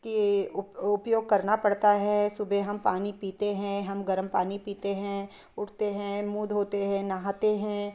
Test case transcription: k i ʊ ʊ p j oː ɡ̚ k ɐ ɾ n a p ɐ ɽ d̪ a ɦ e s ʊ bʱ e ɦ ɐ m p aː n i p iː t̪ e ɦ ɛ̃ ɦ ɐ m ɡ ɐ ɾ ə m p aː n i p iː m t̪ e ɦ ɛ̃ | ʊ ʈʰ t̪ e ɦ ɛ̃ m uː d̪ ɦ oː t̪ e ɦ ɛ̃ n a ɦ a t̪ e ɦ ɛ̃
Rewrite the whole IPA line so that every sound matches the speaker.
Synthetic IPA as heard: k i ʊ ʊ p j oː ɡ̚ k ɐ ɾ n a p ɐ ɽ t̪ a ɦ ɛ s ʊ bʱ e ɦ ɐ m p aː n i p iː t̪ e ɦ ɛ̃ ɦ ɐ m ɡ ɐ ɾ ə m p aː n i p iː t̪ e ɦ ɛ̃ | ʊ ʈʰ t̪ e ɦ ɛ̃ m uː d̪ ɦ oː t̪ e ɦ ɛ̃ n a ɦ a t̪ e ɦ ɛ̃